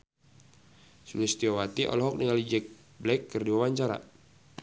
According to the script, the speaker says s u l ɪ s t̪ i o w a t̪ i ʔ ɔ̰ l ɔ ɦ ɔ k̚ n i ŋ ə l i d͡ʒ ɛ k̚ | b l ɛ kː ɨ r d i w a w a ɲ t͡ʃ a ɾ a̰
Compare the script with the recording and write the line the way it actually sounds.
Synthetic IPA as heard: s u l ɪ s t̪ i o w a t̪ i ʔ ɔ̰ l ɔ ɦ ɔ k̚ n i ŋ a l i d͡ʒ ɛ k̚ | b l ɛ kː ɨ r d i w a w a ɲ t͡ʃ a ɾ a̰